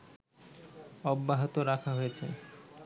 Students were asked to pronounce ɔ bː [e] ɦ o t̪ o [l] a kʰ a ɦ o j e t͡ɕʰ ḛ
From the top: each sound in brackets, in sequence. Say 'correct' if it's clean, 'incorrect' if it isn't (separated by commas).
incorrect, incorrect